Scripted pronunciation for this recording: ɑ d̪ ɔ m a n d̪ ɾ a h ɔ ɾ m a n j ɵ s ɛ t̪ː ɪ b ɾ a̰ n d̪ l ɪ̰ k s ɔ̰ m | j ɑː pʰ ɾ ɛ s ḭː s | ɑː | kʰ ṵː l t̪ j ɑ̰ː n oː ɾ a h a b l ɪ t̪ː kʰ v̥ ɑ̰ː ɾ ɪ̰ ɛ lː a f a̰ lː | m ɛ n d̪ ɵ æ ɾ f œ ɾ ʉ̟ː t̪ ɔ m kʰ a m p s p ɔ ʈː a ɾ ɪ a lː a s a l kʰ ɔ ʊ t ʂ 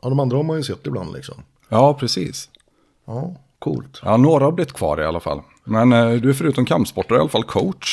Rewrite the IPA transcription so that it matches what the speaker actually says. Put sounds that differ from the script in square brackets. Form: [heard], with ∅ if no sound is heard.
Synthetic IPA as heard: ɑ d̪ ɔ m a n d̪ ɾ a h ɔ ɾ m a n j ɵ s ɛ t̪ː ɪ b [l] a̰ n d̪ l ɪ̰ k s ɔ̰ m | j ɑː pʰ ɾ ɛ s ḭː s | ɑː | kʰ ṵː l t̪ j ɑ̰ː n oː ɾ a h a b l ɪ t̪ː kʰ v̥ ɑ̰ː ɾ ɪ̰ [a] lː a f a̰ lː | m ɛ n d̪ ɵ æ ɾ f œ ɾ ʉ̟ː t̪ ɔ m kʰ a m p s p ɔ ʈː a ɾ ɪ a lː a [f] a l kʰ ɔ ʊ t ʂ